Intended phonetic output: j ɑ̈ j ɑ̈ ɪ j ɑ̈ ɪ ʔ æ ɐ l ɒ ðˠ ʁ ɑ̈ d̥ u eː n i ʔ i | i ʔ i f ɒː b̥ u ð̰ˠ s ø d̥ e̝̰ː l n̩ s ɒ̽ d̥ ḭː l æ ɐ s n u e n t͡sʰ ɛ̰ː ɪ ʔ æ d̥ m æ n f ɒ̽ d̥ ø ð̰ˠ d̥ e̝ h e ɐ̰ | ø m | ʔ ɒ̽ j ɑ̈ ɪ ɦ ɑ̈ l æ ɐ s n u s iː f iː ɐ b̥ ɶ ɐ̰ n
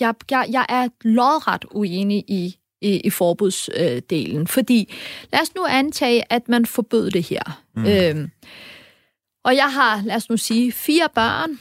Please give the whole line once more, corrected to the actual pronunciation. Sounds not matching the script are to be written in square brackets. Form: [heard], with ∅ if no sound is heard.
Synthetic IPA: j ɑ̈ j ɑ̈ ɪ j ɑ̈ ɪ ʔ æ ɐ l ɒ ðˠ ʁ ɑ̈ d̥ u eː n i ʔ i | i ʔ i f ɒː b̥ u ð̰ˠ s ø d̥ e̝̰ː l n̩ [f] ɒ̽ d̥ ḭː l æ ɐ s n u [æ] n t͡sʰ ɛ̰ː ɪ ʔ æ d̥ m æ n f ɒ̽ [b̥] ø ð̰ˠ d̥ e̝ h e ɐ̰ | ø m | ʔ ɒ̽ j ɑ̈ ɪ ɦ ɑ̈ l æ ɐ s n u s iː f iː ɐ b̥ ɶ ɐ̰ n